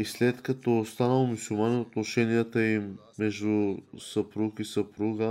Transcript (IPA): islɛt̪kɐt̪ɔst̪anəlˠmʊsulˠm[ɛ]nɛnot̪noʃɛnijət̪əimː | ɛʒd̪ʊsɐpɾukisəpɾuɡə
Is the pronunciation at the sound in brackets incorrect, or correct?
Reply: incorrect